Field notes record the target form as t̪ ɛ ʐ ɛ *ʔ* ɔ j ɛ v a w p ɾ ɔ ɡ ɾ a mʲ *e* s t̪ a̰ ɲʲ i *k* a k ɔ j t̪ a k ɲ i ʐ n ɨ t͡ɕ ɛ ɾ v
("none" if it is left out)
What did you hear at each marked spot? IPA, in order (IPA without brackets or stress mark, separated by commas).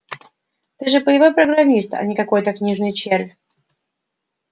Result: p, i, k